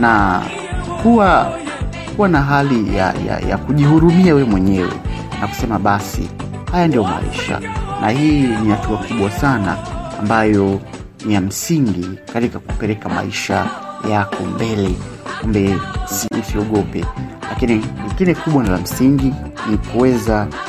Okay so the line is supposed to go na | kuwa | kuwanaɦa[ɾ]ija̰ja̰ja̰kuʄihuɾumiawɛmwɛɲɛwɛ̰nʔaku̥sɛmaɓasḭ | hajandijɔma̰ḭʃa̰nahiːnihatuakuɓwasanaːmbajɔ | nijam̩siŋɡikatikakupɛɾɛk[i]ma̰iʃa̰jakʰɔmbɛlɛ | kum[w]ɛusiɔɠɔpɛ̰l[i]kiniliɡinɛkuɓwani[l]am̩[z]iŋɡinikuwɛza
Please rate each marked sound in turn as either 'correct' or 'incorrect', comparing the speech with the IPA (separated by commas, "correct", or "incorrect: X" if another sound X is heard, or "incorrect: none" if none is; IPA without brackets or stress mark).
incorrect: l, incorrect: a, incorrect: b, incorrect: a, correct, incorrect: s